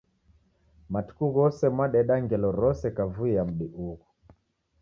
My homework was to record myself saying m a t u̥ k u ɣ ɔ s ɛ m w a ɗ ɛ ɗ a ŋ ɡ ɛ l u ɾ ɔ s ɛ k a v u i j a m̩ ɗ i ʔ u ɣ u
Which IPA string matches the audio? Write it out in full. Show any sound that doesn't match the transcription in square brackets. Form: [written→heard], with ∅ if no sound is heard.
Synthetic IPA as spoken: m a t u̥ k u ɣ ɔ s ɛ m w a ɗ ɛ ɗ a ŋ ɡ ɛ l [u→ɔ] ɾ ɔ s ɛ k a v u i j a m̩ ɗ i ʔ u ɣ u